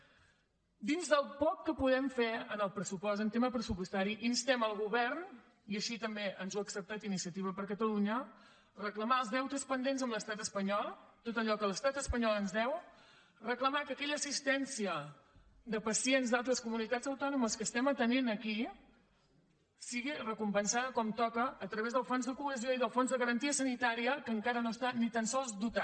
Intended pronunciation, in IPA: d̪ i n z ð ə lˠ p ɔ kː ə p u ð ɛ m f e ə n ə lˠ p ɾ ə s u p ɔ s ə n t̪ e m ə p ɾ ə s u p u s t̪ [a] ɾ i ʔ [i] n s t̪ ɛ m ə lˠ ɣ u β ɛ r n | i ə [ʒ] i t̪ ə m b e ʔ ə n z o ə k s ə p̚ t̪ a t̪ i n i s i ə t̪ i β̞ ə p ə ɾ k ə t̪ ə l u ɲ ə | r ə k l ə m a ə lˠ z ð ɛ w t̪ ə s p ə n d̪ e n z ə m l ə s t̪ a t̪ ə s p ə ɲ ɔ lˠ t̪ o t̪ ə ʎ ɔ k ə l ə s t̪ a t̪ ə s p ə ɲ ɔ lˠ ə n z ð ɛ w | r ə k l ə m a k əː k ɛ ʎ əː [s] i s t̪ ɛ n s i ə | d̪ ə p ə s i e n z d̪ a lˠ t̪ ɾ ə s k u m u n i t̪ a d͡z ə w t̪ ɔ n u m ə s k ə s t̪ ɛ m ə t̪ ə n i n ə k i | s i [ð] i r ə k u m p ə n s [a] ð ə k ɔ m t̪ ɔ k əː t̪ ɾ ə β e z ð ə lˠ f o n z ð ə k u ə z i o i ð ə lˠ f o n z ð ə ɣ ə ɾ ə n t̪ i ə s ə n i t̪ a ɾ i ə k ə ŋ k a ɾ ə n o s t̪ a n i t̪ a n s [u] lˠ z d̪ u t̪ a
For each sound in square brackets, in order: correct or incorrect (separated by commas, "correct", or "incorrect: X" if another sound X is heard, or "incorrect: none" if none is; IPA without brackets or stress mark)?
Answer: correct, correct, incorrect: ʃ, correct, incorrect: ɣ, correct, incorrect: ɔ